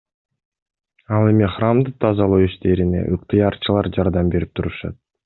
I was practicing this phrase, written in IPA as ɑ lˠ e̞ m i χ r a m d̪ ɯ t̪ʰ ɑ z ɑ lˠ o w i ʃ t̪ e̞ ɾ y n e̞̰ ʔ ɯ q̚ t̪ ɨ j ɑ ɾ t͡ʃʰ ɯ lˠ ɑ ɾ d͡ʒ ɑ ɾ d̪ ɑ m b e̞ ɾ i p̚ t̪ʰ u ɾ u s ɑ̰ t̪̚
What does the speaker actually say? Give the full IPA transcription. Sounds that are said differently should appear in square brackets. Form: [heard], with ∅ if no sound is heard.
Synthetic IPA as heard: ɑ lˠ e̞ m i χ r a m d̪ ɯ t̪ʰ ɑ z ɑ lˠ o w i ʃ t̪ e̞ ɾ [i] n e̞̰ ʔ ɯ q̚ t̪ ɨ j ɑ ɾ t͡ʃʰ ɯ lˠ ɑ ɾ d͡ʒ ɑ ɾ d̪ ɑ m b e̞ ɾ i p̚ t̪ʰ u ɾ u [ʃ] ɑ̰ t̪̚